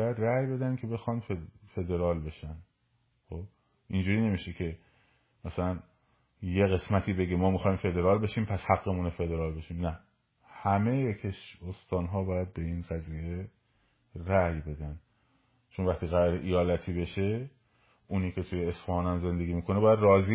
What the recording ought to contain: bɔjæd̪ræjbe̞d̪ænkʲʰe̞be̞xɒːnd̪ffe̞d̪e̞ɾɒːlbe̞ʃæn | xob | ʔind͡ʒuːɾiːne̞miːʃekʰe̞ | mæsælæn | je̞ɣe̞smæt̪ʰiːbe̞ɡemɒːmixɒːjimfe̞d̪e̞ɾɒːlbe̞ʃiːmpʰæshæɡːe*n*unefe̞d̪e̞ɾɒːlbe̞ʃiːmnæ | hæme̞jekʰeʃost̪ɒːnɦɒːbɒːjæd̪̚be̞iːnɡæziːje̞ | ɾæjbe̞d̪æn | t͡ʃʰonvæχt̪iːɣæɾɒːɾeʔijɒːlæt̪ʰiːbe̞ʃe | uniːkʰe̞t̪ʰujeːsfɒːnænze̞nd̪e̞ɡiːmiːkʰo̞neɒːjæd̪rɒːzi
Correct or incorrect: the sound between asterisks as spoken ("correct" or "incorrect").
incorrect